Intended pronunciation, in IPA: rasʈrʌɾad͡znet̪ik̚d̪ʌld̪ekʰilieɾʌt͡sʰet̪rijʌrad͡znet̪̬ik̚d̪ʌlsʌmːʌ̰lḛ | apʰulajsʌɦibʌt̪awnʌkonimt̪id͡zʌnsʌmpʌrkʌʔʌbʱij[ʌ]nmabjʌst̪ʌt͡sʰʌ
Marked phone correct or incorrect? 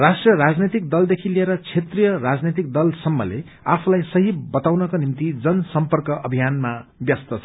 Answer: incorrect